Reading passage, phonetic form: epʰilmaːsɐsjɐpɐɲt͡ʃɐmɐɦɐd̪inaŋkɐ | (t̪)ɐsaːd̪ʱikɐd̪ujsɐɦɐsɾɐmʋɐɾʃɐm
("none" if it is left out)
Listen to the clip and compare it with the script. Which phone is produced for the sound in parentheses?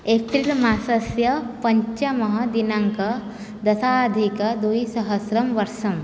d̪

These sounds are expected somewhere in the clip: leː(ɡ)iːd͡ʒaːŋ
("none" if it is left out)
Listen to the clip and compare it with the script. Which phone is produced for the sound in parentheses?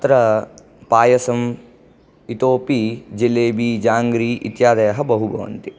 b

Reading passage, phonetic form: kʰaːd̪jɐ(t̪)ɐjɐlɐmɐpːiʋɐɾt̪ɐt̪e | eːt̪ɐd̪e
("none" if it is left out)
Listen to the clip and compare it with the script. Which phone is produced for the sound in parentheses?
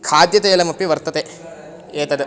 t̪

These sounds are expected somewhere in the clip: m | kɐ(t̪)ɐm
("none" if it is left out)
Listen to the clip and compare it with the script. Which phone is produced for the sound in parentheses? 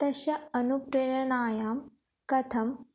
t̪ʰ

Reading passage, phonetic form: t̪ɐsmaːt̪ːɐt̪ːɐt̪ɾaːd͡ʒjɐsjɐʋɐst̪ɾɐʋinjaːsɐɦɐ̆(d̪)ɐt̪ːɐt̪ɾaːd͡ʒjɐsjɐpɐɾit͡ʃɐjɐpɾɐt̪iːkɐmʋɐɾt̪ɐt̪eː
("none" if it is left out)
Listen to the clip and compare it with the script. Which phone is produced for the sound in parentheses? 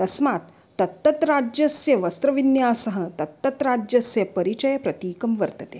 t̪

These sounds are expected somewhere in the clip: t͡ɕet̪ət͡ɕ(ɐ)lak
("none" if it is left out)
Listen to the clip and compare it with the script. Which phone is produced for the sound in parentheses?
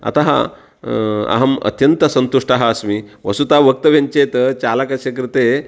a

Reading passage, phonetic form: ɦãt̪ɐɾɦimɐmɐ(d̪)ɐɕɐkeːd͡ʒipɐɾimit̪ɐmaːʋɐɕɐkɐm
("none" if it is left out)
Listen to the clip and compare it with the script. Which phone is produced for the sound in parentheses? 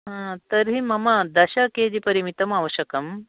d̪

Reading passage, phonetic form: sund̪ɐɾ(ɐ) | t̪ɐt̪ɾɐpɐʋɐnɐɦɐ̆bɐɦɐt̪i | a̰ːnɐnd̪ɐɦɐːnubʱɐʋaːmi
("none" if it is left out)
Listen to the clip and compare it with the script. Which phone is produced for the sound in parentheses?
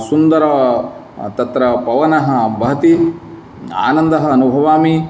ɐ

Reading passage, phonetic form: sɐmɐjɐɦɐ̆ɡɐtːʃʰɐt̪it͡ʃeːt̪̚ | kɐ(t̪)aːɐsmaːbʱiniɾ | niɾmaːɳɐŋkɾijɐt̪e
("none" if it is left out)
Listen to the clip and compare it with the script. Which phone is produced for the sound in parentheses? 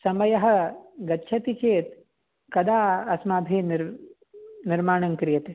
d̪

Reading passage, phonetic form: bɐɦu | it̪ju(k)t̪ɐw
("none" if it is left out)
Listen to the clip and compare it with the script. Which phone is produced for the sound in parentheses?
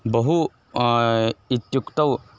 k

